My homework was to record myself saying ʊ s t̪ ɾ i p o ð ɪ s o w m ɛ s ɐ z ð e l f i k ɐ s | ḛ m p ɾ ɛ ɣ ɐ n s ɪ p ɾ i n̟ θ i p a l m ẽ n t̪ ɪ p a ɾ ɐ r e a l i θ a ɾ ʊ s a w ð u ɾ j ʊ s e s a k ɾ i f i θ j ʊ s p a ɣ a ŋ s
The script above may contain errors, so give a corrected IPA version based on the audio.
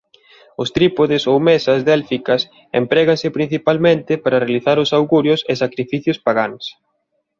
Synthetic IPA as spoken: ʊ s t̪ ɾ i p o ð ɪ s o w m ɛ s ɐ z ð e l f i k ɐ s | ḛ m p ɾ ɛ ɣ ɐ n s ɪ p ɾ i n̟ θ i p a l m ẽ n t̪ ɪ p a ɾ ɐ r e a l i θ a ɾ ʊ s a w ɣ u ɾ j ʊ s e s a k ɾ i f i θ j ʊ s p a ɣ a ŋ s